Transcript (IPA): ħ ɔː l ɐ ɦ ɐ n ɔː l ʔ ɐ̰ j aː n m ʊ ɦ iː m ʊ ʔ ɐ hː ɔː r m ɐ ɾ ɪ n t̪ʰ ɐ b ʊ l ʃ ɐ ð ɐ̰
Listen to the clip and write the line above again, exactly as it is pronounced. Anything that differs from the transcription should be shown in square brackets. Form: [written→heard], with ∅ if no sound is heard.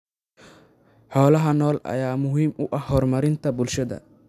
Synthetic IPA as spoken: ħ ɔː l ɐ ɦ ɐ n ɔː l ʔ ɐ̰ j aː [n→∅] m ʊ ɦ iː m ʊ ʔ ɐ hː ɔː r m ɐ ɾ ɪ n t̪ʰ ɐ b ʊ l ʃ ɐ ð ɐ̰